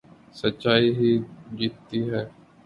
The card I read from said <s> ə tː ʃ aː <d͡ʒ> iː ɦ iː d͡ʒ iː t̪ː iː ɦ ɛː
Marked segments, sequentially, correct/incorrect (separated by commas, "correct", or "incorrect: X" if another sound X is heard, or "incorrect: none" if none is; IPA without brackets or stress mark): correct, incorrect: none